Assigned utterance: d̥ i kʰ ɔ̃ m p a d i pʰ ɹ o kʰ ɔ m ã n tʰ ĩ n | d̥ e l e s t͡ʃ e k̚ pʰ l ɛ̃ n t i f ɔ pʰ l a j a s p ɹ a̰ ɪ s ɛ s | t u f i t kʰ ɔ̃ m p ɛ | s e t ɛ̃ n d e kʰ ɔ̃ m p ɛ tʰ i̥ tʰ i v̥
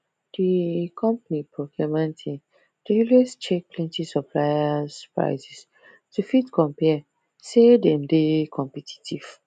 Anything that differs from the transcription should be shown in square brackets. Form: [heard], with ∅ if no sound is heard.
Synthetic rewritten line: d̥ i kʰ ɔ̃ m p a [n] i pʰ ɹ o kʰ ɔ m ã n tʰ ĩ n | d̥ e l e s t͡ʃ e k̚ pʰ l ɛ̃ n t i [s] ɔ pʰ l a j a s p ɹ a̰ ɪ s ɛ s | t u f i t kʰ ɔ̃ m p ɛ | s e [d] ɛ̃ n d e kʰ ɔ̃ m p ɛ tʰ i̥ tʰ i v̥